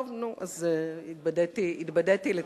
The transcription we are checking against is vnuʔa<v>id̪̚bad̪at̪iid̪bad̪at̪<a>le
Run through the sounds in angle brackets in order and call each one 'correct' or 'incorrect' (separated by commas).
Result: incorrect, incorrect